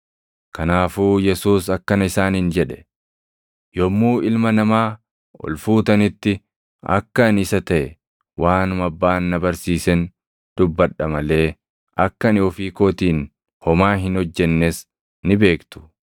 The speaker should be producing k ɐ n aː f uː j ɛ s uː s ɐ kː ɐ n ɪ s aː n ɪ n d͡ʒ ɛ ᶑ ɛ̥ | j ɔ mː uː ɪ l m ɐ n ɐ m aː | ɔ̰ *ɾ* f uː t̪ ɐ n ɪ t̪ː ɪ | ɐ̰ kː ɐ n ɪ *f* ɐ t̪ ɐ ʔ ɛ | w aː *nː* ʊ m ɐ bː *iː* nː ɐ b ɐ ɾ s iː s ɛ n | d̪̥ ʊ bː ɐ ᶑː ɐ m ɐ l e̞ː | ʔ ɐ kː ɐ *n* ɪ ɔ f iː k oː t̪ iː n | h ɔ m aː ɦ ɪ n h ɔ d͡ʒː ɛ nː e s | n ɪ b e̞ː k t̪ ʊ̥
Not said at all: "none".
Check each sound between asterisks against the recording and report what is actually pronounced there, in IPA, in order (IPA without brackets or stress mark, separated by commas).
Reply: l, s, n, aː, n